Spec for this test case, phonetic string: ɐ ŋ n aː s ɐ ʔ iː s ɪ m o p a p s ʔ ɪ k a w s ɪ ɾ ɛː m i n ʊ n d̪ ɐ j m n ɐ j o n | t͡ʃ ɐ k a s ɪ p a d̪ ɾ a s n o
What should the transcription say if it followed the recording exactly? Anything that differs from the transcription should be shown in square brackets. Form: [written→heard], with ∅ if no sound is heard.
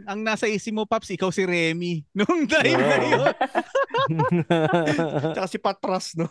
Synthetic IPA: ɐ ŋ n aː s ɐ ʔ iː s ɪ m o p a p s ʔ ɪ k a w s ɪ ɾ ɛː m i n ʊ [n→ŋ] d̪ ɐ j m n ɐ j o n | t͡ʃ ɐ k a s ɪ p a [d̪→t̪] ɾ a s n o